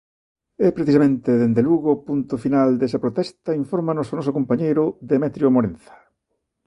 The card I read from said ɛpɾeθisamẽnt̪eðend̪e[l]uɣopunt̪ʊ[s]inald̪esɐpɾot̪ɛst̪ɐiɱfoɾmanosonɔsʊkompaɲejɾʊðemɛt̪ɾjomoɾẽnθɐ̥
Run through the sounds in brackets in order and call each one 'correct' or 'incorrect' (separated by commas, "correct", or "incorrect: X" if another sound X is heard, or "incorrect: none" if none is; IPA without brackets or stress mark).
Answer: correct, incorrect: f